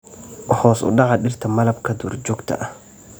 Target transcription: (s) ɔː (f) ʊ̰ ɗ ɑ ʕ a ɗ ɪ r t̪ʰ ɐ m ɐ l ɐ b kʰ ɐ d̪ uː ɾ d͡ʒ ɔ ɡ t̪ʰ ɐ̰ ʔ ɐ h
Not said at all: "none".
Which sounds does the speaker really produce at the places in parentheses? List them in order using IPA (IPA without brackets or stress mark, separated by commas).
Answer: h, s